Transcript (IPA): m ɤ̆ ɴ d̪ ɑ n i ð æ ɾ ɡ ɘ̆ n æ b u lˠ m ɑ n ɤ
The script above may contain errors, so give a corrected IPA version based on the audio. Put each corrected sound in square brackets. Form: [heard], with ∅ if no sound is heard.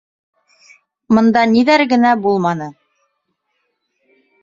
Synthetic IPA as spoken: m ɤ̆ [n] d̪ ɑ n i ð æ ɾ ɡ ɘ̆ n æ b u lˠ m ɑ n ɤ